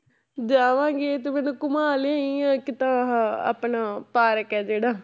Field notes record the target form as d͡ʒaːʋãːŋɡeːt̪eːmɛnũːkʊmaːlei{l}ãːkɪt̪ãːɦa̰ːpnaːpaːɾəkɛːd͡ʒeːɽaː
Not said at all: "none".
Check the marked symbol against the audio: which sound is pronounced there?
none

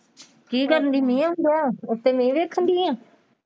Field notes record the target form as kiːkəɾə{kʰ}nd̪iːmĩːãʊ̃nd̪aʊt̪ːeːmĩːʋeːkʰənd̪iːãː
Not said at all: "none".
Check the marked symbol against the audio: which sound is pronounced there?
none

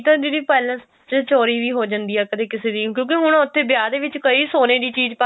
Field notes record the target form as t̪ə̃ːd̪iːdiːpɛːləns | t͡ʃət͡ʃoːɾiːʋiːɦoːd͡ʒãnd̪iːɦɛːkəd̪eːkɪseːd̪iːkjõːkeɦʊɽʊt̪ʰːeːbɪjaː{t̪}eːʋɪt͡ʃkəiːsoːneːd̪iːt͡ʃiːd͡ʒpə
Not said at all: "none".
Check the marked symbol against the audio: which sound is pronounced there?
d̪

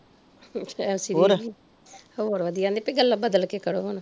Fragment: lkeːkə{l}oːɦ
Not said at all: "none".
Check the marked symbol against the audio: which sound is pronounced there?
ɽ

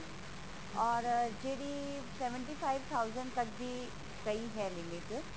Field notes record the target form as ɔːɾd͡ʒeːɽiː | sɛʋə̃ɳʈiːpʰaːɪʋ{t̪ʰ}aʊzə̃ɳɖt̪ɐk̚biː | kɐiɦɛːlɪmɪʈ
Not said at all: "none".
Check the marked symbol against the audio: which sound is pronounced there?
t̪ʰ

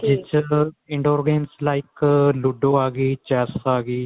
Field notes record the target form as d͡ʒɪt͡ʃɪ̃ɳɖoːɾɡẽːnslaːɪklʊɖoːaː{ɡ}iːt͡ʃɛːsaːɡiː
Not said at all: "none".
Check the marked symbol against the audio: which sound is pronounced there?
ɡ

